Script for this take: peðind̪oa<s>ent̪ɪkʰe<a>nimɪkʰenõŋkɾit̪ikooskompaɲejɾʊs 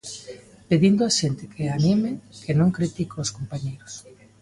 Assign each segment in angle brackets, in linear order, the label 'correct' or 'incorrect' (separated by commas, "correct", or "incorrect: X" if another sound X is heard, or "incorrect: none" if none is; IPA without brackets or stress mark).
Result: incorrect: ʃ, correct